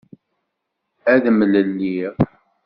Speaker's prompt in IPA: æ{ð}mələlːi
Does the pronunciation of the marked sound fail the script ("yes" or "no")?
no